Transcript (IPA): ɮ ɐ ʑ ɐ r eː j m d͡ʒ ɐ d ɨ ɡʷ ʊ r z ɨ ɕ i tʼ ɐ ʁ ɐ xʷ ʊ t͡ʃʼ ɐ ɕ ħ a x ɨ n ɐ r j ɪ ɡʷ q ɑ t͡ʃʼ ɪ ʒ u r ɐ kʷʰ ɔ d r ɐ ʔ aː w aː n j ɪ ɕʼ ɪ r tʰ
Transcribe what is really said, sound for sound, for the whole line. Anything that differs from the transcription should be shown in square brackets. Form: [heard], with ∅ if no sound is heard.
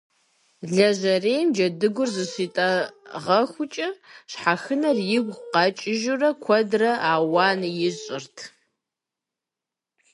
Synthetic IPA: ɮ ɐ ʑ ɐ r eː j m d͡ʒ ɐ d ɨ ɡʷ ʊ r z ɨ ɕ i tʼ ɐ ʁ ɐ xʷ ʊ t͡ʃʼ ɐ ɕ ħ a x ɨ n ɐ r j ɪ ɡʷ q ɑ t͡ʃʼ ɪ ʒ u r ɐ kʷʰ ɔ d r ɐ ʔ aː w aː n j ɪ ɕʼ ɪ r tʰ